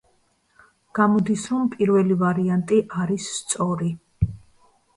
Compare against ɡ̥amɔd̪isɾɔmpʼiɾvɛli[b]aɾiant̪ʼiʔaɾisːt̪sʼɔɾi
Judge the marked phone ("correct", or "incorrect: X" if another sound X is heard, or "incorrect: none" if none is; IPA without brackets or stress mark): incorrect: v